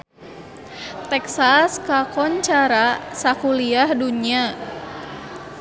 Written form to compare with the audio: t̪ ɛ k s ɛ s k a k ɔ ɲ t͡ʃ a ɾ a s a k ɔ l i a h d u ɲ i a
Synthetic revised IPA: t̪ ɛ k s a s k a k ɔ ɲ t͡ʃ a ɾ a s a k u l i a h d u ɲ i a